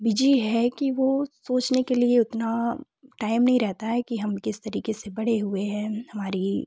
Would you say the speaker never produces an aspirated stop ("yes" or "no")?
yes